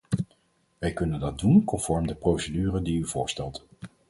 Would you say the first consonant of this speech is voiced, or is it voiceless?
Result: voiced